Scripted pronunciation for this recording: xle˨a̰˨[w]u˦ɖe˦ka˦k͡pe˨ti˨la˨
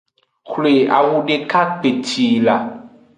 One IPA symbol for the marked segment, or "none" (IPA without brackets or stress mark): w